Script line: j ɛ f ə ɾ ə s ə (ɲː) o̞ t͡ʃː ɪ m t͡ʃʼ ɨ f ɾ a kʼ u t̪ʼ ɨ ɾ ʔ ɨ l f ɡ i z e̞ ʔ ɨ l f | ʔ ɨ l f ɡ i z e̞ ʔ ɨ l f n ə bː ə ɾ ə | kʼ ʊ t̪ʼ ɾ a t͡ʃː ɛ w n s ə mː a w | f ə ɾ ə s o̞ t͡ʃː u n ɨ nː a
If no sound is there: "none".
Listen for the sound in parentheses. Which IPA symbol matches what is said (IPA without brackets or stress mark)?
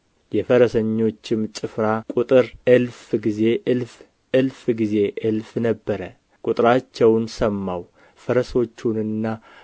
ɲː